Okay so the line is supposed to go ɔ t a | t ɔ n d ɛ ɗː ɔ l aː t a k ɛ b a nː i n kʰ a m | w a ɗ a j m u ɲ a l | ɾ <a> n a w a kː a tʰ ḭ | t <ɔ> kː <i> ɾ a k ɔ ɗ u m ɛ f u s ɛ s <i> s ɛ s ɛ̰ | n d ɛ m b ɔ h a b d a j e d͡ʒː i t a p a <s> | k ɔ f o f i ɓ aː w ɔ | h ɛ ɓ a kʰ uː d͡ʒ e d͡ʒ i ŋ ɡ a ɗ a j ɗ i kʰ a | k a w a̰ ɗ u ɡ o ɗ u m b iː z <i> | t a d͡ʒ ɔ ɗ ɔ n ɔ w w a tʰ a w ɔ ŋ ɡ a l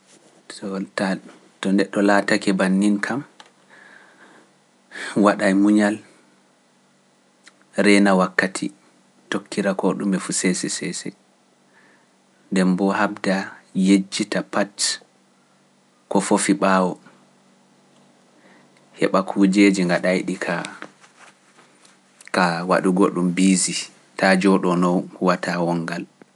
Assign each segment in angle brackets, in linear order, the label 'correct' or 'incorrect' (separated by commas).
incorrect, incorrect, correct, incorrect, incorrect, correct